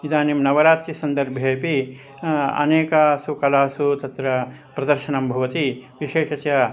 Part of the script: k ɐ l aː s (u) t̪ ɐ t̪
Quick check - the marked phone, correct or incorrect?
correct